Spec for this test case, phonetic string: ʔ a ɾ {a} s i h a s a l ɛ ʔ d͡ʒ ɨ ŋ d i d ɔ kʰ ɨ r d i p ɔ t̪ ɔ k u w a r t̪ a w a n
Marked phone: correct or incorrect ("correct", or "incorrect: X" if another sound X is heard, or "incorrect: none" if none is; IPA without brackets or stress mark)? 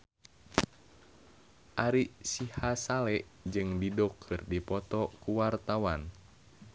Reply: incorrect: i